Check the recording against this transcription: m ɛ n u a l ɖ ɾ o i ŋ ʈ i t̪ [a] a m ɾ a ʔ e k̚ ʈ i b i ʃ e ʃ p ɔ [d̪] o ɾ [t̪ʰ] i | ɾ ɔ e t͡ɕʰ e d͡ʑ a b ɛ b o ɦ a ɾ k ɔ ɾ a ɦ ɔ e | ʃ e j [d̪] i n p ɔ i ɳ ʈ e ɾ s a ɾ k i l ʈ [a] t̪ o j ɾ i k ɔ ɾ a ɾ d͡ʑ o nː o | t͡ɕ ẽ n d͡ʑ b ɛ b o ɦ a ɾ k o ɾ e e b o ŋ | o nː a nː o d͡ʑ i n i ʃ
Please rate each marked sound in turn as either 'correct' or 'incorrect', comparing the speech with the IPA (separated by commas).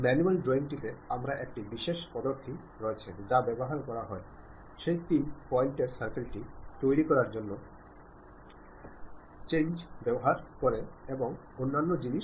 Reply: incorrect, correct, correct, incorrect, incorrect